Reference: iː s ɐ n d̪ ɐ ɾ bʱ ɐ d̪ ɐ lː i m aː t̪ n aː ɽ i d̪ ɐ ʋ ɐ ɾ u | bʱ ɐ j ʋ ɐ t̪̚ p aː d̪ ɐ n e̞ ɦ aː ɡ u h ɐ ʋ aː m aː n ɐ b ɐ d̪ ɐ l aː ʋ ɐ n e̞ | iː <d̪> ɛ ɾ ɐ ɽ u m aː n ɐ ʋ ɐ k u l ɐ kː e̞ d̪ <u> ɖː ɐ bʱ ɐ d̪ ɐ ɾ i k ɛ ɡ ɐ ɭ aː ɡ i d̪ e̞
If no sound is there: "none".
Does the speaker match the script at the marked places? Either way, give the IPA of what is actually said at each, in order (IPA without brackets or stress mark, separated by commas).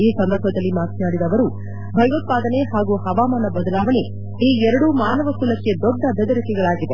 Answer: none, ɔ